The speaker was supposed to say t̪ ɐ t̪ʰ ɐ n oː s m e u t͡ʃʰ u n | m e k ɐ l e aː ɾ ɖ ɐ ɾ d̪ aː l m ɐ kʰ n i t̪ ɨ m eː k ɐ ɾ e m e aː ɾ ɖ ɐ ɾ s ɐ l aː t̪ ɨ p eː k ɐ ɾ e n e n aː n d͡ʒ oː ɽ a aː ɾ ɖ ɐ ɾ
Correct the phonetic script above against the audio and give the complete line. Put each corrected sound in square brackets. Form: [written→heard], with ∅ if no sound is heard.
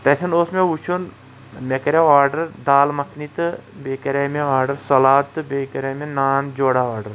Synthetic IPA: t̪ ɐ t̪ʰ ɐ n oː s m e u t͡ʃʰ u n | m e k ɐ [l→ɾ] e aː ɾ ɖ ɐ ɾ d̪ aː l m ɐ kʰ n i t̪ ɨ [m→b] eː k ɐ ɾ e m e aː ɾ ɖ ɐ ɾ s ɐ l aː t̪ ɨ [p→b] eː k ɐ ɾ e [n→m] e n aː n d͡ʒ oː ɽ a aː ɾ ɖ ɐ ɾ

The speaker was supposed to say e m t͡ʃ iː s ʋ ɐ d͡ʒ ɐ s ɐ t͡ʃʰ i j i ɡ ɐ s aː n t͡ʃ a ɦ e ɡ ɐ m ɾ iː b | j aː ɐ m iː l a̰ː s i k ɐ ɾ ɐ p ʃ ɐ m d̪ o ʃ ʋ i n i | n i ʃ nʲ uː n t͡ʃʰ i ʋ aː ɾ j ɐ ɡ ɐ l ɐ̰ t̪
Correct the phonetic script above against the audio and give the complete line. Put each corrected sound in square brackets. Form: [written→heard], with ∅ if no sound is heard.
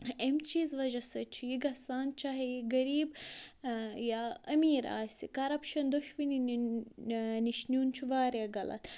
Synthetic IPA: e m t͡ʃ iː [s→z] ʋ ɐ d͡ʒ ɐ s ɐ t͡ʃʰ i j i ɡ ɐ s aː n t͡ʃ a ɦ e ɡ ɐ [m→∅] ɾ iː b | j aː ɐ m iː [l→ɾ] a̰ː s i k ɐ ɾ ɐ p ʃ ɐ [m→n] d̪ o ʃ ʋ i n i | n i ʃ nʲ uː n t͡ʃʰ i ʋ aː ɾ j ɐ ɡ ɐ l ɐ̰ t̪

